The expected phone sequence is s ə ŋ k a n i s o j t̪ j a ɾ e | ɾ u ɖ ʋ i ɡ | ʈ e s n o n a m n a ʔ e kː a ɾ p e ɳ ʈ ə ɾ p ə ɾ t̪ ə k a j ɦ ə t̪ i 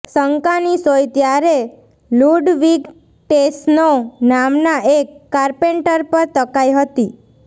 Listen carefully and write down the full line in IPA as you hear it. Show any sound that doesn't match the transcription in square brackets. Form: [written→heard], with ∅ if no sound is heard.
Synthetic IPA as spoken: s ə ŋ k a n i s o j t̪ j a ɾ e | [ɾ→l] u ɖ ʋ i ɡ | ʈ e s n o n a m n a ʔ e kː a ɾ p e ɳ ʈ ə ɾ p ə ɾ t̪ ə k a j ɦ ə t̪ i